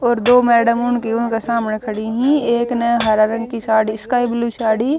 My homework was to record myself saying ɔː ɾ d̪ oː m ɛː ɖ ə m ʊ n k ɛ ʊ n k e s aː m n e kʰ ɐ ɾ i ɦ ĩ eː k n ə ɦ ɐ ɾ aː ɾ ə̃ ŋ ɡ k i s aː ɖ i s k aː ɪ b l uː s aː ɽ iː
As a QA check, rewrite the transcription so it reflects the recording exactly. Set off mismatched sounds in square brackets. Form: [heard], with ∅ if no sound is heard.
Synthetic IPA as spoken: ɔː ɾ d̪ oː m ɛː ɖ ə m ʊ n k [i] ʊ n k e s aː m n e kʰ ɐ [ɽ] i ɦ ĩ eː k n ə ɦ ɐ ɾ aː ɾ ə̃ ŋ ɡ k i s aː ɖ i s k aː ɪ b l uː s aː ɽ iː